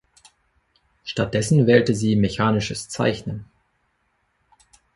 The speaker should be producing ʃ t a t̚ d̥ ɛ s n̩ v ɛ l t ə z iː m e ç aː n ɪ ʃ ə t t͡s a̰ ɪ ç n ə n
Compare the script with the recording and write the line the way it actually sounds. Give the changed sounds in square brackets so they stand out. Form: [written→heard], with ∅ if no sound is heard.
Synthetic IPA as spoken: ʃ t a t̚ d̥ ɛ s n̩ v [ɛ→ɛː] l t ə z iː m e ç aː n ɪ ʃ ə [t→s] t͡s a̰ ɪ ç n ə n